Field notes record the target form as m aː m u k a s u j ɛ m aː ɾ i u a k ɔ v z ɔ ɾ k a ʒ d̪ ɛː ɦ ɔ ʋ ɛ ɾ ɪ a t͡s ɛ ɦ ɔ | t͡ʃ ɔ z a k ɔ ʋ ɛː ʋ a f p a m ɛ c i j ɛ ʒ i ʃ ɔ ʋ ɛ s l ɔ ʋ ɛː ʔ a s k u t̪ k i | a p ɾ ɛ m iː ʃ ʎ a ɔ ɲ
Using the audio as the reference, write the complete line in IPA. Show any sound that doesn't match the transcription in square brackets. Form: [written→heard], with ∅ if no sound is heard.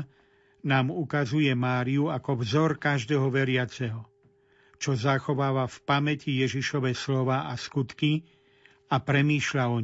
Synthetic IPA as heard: [m→n] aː m u k a [s→z] u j ɛ m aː ɾ i u a k ɔ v z ɔ ɾ k a ʒ d̪ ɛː ɦ ɔ ʋ ɛ ɾ ɪ a t͡s ɛ ɦ ɔ | t͡ʃ ɔ z a [k→x] ɔ ʋ [ɛː→aː] ʋ a f p a m ɛ c i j ɛ ʒ i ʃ ɔ ʋ ɛ s l ɔ ʋ [ɛː→aː] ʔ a s k u t̪ k i | a p ɾ ɛ m iː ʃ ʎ a ɔ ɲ